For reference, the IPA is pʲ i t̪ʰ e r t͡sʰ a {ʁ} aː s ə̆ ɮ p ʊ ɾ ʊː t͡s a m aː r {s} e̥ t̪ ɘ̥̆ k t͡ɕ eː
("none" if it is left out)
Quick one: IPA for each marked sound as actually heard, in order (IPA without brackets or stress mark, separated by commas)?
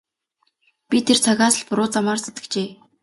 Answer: ɣ, s